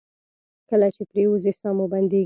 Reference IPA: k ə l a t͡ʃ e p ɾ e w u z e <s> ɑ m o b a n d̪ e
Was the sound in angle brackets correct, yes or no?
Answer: yes